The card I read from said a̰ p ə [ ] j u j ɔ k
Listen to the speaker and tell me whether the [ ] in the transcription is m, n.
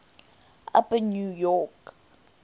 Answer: n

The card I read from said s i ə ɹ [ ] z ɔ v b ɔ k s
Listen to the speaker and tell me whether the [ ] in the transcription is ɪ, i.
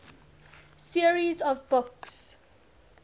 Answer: i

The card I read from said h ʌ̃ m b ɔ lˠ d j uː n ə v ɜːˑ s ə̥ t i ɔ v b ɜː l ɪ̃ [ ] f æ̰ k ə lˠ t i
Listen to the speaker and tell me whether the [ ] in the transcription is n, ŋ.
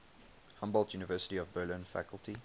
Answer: n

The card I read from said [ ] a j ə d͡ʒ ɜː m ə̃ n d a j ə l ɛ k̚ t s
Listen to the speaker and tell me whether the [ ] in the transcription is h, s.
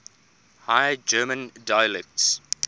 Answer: h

